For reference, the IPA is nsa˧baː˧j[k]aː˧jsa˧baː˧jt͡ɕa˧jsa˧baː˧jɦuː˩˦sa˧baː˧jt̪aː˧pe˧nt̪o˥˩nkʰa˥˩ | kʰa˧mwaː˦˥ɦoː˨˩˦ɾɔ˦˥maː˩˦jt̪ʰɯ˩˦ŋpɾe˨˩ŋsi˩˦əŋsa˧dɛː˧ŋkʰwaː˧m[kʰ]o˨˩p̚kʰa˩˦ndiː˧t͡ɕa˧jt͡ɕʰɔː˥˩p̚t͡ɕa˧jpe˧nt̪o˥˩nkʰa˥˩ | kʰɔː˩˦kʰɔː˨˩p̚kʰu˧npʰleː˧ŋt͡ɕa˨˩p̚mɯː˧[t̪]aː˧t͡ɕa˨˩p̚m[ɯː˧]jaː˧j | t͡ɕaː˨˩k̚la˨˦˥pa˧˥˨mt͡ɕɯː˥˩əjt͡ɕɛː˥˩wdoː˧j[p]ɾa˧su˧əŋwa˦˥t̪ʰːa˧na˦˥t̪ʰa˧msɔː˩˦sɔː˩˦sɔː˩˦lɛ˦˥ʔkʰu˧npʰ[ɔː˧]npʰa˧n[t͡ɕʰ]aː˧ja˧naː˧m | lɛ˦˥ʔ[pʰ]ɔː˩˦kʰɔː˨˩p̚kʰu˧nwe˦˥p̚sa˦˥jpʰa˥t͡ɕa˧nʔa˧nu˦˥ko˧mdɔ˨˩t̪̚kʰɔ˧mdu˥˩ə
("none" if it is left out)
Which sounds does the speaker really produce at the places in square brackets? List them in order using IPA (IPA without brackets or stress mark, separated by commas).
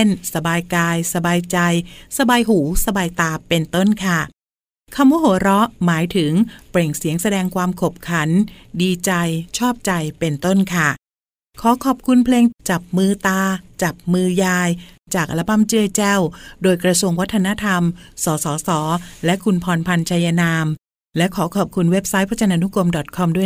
k, kʰ, t̪, ɯː˧, k, ɔː˧, t͡ɕʰ, kʰ